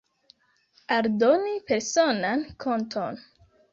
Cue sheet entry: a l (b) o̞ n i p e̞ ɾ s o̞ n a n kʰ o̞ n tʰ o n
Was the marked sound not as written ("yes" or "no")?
yes